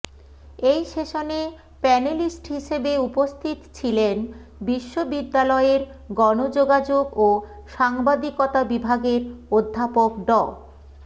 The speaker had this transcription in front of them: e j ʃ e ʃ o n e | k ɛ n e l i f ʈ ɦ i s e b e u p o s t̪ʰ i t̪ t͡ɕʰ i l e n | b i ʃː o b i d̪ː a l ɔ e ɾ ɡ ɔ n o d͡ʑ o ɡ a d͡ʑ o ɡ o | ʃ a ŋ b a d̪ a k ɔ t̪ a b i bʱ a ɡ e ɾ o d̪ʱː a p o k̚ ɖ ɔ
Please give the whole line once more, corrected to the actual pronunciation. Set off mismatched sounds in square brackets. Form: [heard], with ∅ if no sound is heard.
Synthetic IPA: e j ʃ e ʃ o n e | [p] ɛ n e l i [s] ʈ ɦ i [ʃ] e b e u p o s t̪ʰ i t̪ t͡ɕʰ i l e n | b i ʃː o b i d̪ː a l ɔ e ɾ ɡ ɔ n o d͡ʑ o ɡ a d͡ʑ o ɡ o | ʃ a ŋ b a d̪ [i] k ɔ t̪ a b i bʱ a ɡ e ɾ o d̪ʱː a p o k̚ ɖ ɔ